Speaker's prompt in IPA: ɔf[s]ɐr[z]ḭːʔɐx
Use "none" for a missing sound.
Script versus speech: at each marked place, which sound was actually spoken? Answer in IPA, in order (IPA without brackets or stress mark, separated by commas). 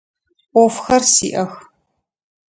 x, s